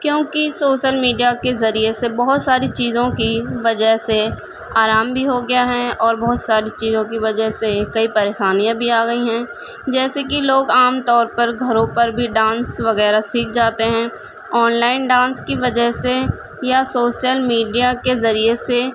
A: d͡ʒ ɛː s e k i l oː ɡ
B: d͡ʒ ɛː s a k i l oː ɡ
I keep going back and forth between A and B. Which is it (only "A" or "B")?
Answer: A